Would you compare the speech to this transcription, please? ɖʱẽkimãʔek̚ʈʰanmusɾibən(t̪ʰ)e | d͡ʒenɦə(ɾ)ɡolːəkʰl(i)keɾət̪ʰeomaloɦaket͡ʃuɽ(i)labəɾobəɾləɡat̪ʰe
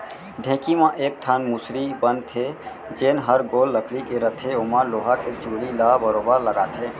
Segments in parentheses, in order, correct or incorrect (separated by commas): correct, correct, correct, correct